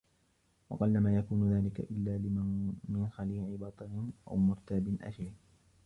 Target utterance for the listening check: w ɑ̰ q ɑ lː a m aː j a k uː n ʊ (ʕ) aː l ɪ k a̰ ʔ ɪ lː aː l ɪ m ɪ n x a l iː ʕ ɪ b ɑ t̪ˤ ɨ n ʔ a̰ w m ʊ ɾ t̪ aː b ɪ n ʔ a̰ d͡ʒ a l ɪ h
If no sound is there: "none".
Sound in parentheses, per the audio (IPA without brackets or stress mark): ð